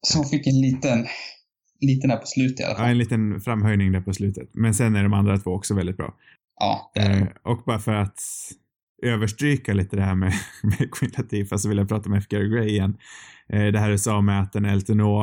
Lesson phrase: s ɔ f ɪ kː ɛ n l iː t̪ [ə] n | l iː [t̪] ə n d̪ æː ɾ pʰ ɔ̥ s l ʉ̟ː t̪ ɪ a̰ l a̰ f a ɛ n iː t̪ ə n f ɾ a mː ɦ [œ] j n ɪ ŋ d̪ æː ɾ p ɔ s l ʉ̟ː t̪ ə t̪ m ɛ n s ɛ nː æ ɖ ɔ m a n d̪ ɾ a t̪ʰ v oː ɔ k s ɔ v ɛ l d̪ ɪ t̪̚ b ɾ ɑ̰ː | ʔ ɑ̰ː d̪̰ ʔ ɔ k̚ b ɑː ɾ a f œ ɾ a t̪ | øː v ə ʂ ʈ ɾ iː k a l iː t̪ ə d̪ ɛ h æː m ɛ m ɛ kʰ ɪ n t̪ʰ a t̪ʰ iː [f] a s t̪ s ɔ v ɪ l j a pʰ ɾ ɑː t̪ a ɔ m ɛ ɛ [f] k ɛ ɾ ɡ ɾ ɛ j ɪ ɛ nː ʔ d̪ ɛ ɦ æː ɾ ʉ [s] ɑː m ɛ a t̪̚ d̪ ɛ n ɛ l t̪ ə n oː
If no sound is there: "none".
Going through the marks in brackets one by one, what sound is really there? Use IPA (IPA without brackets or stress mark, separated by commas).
ə, t̪, œ, f, f, s